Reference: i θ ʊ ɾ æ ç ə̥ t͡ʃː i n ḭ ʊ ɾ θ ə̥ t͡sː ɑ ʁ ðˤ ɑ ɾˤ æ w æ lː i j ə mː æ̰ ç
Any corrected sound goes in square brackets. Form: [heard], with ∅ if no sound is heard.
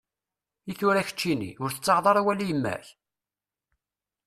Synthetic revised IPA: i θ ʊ ɾ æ ç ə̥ t͡ʃː i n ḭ ʊ ɾ θ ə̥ t͡sː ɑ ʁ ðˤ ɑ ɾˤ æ w æ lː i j ə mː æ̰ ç